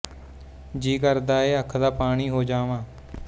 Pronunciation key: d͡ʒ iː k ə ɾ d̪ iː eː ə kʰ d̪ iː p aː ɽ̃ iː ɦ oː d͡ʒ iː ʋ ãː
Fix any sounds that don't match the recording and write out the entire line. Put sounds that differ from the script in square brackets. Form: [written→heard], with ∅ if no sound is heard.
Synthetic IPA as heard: d͡ʒ iː k ə ɾ d̪ [iː→aː] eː ə kʰ d̪ [iː→aː] p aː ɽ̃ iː ɦ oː d͡ʒ [iː→aː] ʋ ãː